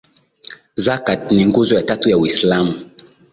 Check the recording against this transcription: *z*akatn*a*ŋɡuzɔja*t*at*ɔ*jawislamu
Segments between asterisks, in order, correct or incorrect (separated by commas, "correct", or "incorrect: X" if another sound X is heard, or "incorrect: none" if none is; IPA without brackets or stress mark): correct, incorrect: i, correct, incorrect: u